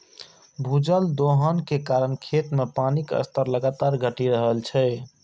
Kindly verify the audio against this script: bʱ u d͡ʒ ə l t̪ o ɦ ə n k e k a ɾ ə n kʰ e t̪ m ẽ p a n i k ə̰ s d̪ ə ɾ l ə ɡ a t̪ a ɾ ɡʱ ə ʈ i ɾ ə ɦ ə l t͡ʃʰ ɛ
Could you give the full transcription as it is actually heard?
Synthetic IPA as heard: bʱ u d͡ʒ ə l d̪ o ɦ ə n k e k a ɾ ə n kʰ e t̪ m e p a n i k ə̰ s t̪ ə ɾ l ə ɡ a t̪ a ɾ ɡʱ ə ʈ i ɾ ə ɦ ə l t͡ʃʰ ɛ